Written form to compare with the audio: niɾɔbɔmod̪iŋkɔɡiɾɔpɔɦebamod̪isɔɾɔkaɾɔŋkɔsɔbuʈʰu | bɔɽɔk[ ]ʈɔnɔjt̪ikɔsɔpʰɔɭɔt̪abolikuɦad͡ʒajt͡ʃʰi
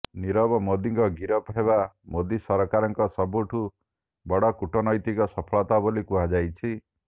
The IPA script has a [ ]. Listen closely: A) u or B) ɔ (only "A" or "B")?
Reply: A